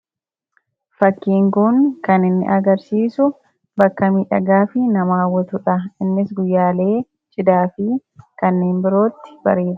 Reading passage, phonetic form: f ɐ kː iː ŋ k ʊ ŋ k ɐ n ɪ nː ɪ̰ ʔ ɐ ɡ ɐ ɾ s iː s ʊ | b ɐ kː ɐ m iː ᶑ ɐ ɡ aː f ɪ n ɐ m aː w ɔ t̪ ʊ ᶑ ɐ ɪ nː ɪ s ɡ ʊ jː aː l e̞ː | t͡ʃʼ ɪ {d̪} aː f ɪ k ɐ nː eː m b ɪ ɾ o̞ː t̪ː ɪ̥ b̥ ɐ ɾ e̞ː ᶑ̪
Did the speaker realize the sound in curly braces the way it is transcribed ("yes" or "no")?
yes